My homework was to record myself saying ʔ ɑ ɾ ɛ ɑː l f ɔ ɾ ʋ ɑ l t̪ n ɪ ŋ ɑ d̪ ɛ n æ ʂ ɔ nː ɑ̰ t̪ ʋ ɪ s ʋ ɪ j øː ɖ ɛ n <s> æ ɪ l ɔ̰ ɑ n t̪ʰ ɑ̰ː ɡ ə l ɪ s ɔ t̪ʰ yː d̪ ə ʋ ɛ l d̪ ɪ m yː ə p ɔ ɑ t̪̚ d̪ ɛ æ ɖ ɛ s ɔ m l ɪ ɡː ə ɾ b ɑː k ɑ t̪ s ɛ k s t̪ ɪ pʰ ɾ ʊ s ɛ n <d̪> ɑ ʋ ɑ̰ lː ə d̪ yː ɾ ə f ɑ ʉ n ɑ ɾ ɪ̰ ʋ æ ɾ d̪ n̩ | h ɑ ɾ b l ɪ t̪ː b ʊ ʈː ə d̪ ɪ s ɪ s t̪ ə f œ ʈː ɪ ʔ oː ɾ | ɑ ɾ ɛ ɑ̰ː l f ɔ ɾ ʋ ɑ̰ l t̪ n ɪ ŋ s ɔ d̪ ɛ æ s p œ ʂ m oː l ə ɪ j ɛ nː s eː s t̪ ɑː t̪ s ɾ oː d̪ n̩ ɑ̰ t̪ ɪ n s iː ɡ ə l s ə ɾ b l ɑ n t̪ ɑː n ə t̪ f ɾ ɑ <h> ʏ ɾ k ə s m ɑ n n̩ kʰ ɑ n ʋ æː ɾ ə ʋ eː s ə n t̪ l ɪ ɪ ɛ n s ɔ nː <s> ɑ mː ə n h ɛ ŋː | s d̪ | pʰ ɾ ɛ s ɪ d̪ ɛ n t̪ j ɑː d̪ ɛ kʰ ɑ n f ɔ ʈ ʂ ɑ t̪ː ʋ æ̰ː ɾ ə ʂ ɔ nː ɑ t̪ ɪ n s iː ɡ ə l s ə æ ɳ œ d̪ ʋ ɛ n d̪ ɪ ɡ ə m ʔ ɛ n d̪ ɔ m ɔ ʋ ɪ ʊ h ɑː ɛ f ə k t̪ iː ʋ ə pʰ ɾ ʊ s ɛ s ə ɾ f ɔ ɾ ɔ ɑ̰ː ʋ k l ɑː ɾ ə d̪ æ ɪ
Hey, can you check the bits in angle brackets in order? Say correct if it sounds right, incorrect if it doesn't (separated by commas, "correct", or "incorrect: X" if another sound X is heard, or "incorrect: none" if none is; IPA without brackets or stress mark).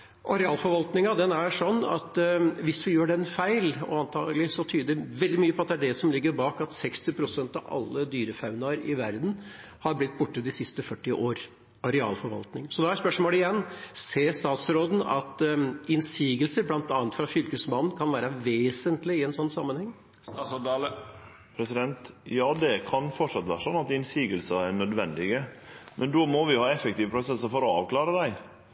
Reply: incorrect: f, incorrect: t̪, incorrect: f, correct